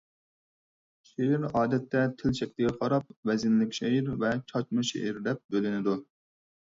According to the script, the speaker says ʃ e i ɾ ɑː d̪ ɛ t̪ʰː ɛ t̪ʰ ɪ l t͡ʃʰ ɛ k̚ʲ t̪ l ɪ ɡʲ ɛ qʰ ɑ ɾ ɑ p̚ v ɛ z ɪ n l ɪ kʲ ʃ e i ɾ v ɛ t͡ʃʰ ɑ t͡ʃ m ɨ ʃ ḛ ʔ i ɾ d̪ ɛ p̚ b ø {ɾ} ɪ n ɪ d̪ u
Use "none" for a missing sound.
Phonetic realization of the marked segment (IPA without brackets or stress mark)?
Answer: l